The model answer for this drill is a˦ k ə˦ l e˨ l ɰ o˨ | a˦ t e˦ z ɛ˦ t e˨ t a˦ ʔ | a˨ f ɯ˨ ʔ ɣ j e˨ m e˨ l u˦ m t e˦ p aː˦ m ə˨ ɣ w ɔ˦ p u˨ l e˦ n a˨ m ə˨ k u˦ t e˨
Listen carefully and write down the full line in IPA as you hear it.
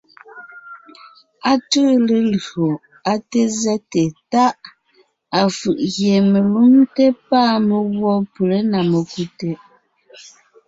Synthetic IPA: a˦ t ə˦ l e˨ l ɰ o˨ | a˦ t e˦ z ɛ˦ t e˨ t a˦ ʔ | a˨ f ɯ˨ ʔ ɣ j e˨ m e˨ l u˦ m t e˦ p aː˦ m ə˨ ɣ w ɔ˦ p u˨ l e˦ n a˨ m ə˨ k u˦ t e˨

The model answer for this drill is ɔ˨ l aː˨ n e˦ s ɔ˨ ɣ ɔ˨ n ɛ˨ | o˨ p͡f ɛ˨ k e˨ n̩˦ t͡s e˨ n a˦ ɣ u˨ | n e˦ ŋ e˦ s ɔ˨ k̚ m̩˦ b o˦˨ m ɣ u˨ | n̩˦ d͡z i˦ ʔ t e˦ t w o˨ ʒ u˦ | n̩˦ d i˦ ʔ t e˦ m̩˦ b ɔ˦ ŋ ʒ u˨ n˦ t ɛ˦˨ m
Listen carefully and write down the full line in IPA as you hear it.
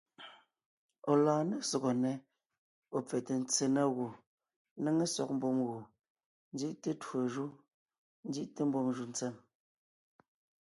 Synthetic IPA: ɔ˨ l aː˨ n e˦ s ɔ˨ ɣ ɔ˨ n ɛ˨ | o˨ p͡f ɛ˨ t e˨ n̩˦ t͡s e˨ n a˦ ɣ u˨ | n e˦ ŋ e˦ s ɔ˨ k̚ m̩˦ b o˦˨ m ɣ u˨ | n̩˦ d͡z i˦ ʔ t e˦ t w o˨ ʒ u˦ | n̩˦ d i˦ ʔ t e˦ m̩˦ b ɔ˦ ŋ ʒ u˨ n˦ t͡s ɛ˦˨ m

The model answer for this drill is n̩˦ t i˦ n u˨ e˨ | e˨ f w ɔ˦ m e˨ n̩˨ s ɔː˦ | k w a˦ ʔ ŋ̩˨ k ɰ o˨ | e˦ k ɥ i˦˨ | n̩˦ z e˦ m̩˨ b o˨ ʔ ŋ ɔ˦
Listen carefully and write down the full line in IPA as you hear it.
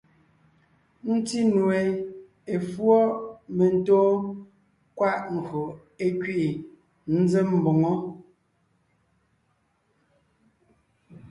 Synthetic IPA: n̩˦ t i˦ n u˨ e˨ | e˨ f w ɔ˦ m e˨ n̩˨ t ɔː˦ | k w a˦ ʔ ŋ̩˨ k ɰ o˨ | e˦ k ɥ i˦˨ | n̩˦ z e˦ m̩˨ b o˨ ŋ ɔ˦

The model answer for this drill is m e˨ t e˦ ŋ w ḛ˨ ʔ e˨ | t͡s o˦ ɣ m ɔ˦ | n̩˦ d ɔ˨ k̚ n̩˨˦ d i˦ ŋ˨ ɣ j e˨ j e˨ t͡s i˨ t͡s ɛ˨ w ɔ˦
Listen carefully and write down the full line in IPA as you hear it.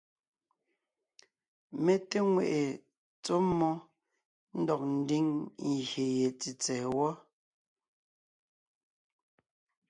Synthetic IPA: m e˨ t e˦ ŋ w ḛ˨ ʔ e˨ | t͡s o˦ m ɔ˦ | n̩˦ d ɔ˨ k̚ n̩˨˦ d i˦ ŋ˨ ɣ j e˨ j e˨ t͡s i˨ t͡s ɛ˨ w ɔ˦

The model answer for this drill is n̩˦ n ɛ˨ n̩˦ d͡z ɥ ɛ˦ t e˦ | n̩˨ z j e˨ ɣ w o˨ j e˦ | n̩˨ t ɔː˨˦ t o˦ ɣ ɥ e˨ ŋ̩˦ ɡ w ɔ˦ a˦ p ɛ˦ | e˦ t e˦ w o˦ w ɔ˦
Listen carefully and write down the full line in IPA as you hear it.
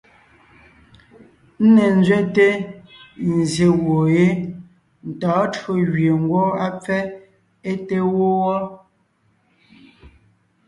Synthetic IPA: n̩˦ n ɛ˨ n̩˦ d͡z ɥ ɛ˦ t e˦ | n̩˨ z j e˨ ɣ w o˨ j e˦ | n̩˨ t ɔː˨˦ t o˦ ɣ ɥ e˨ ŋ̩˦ ɡ w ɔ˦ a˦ p͡f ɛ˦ | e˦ t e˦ w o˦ w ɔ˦

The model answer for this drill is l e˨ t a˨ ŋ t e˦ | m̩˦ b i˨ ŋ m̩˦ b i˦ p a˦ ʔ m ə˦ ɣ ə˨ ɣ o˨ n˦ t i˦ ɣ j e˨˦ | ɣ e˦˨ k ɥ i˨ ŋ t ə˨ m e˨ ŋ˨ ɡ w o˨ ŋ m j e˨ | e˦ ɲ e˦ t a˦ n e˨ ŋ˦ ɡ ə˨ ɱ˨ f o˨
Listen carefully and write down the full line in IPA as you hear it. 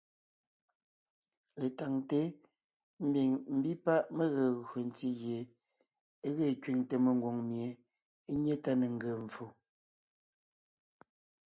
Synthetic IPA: l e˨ t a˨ ŋ t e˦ | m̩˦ b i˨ ŋ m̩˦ b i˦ p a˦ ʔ m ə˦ ɣ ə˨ ɣ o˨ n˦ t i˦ ɣ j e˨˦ | ɣ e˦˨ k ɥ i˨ ŋ t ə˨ m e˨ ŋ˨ ɡ w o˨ ŋ m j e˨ | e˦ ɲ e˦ t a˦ n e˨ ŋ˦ ɡ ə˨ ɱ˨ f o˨

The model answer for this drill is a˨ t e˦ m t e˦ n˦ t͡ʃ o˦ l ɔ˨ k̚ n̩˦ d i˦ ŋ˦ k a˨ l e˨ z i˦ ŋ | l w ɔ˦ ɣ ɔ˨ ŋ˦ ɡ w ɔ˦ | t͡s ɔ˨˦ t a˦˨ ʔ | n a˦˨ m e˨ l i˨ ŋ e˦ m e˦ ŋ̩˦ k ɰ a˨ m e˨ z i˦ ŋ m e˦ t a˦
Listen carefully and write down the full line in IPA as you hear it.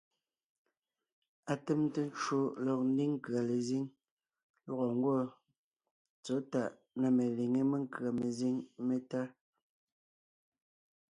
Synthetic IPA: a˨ t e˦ m t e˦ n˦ t͡ʃ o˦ l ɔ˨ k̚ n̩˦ d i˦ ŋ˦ k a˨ l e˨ z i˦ ŋ | l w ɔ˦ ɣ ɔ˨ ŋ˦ ɡ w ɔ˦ | t͡s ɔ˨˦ t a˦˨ ʔ | n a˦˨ m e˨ l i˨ ŋ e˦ m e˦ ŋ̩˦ k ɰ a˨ m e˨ z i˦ ŋ m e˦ t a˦

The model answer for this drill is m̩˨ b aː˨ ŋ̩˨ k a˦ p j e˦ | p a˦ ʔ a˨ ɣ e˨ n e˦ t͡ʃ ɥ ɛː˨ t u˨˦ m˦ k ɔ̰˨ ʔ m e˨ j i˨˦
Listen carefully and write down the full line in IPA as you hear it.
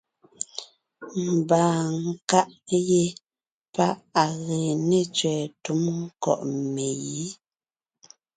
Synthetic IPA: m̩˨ b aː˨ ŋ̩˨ k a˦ ʔ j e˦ | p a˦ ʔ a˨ ɣ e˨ n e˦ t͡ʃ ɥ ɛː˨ t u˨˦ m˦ k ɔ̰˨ ʔ m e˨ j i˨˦

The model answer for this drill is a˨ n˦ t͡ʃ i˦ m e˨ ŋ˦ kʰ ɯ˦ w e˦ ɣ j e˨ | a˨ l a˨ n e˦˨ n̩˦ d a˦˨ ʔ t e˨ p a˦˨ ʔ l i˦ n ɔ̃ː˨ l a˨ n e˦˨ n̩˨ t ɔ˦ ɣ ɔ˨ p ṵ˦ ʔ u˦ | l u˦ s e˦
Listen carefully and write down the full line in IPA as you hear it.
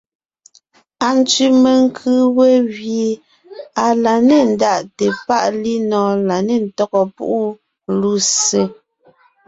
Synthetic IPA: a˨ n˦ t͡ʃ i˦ m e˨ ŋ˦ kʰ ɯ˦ w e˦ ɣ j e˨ | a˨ l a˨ n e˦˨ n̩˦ d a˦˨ ʔ t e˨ p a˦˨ ʔ l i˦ n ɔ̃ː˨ l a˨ n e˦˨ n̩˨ t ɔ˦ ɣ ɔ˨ p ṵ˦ ʔ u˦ | l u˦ s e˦

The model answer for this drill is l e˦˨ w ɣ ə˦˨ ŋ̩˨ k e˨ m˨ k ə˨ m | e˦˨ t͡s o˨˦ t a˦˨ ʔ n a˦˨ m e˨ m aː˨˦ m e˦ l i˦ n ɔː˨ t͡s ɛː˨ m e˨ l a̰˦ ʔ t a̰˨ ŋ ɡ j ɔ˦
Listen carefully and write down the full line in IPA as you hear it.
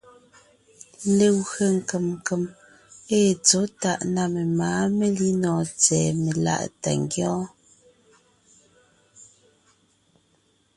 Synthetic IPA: l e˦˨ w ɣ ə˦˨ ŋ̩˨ k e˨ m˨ k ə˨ m | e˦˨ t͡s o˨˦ t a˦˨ ʔ n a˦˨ m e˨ m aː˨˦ m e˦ l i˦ n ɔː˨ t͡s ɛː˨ m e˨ l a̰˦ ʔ t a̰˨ ŋ ɡ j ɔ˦

